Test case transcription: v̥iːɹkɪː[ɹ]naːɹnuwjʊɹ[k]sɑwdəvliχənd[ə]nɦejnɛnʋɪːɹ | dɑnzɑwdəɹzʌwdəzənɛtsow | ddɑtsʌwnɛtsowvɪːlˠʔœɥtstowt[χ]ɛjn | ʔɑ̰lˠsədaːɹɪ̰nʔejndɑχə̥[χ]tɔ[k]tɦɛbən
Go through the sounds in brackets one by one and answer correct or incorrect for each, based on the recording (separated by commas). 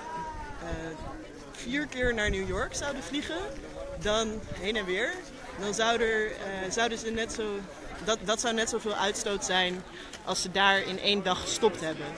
correct, correct, incorrect, incorrect, incorrect, incorrect